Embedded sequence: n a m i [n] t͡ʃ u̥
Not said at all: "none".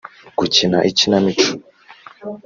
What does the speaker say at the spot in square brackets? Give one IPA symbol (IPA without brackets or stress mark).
none